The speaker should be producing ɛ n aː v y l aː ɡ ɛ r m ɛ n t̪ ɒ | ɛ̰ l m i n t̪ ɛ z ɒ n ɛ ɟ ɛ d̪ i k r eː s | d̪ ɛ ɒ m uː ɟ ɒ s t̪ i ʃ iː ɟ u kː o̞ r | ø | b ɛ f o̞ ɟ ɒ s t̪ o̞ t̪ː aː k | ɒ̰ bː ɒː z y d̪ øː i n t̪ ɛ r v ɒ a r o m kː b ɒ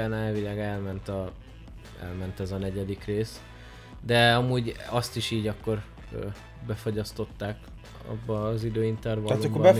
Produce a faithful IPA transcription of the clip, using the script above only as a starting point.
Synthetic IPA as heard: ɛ n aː v i l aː ɡ ɛ l m ɛ n t̪ ɒ | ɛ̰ l m ɛ n t̪ ɛ z ɒ n ɛ ɟ ɛ d̪ i k r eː s | d̪ ɛ ɒ m uː ɟ ɒ s t̪ i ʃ iː ɟ ɒ kː o̞ r | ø | b ɛ f o̞ ɟ ɒ s t̪ o̞ t̪ː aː k | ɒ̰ bː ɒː z i d̪ øː i n t̪ ɛ r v ɒ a l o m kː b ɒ